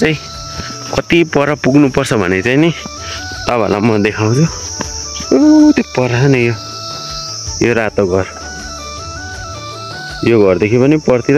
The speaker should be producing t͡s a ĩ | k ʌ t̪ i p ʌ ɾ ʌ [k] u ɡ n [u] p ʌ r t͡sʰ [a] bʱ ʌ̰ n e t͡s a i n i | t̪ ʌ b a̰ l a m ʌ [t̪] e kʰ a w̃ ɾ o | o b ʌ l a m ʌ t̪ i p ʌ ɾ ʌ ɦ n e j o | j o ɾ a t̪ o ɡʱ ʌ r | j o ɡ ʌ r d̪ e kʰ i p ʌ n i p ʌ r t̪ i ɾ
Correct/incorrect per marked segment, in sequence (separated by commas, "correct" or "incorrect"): incorrect, correct, incorrect, incorrect